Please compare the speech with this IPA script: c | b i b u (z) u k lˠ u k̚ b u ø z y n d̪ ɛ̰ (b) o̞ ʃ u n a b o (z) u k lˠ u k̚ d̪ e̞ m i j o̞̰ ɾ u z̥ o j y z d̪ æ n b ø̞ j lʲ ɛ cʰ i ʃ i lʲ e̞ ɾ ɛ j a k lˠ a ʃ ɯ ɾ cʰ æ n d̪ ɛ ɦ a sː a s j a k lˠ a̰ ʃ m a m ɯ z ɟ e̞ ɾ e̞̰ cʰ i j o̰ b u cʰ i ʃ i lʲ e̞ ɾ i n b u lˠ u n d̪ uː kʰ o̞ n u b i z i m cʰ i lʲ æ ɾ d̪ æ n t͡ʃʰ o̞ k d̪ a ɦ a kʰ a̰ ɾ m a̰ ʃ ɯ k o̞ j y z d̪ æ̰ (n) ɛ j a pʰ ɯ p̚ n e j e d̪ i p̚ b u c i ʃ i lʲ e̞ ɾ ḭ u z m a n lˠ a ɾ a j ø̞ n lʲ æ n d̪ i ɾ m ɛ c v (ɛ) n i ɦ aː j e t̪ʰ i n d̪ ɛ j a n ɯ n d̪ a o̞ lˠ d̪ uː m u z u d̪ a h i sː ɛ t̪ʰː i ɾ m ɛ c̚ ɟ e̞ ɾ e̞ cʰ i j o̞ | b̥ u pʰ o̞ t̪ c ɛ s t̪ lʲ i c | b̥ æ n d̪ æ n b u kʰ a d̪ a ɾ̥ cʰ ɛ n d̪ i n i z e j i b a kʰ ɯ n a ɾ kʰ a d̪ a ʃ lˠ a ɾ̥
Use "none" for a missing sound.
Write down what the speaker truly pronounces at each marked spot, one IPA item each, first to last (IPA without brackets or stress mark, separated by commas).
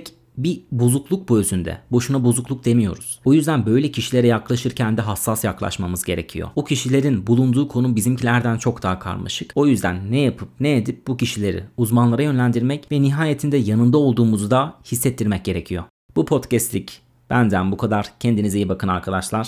z, b, z, nː, ɛ